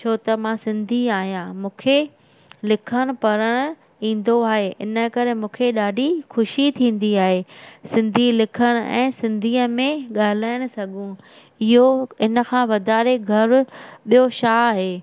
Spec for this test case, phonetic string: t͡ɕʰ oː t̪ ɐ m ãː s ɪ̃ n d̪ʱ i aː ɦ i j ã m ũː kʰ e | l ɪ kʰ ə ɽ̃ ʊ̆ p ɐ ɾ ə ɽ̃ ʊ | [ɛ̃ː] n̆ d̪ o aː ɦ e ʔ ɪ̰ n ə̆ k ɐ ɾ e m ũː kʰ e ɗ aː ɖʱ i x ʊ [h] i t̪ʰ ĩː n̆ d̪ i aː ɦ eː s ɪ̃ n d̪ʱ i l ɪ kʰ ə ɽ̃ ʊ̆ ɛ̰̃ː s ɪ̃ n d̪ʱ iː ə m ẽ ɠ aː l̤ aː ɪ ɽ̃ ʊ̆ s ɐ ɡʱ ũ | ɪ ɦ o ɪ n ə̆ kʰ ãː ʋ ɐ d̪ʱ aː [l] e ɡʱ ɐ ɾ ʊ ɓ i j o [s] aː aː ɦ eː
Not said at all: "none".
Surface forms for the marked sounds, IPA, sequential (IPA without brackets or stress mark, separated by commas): ĩː, ʃ, ɾ, ʃ